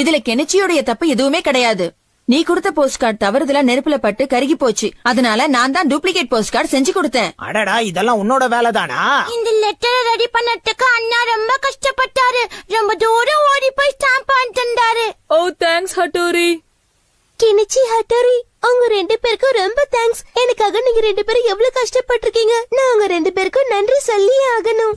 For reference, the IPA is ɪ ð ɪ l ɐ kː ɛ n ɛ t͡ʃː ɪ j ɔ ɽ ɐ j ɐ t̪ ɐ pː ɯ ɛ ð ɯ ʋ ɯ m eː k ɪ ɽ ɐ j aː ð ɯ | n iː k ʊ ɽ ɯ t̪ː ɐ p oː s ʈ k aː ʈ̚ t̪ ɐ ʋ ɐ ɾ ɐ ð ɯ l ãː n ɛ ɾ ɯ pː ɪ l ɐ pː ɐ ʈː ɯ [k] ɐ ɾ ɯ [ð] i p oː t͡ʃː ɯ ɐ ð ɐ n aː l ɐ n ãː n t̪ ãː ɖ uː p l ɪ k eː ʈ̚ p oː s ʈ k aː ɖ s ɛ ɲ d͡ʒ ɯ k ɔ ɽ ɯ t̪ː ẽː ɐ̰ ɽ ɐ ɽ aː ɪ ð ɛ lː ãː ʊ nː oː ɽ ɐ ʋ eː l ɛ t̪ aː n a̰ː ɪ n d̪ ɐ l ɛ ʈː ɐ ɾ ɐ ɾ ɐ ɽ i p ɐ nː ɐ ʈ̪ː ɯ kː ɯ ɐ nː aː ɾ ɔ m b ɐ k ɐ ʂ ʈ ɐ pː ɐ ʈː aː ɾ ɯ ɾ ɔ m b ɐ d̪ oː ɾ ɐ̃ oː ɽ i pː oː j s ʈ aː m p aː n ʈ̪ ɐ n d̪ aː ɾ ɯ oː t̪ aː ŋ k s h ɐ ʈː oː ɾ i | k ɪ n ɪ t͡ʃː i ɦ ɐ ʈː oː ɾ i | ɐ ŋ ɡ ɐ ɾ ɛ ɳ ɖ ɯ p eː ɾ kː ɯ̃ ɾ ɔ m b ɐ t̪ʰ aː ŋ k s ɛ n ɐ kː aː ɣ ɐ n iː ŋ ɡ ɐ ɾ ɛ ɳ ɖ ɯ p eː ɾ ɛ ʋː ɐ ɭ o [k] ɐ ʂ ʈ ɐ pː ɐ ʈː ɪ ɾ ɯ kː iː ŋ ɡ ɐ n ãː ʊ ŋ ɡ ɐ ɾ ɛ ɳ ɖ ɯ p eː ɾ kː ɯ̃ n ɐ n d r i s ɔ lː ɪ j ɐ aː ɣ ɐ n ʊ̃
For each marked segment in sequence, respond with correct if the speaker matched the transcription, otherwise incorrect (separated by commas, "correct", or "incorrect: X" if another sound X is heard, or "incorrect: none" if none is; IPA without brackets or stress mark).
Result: correct, incorrect: ɣ, correct